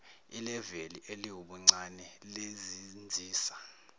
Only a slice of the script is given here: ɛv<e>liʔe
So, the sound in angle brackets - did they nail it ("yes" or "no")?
yes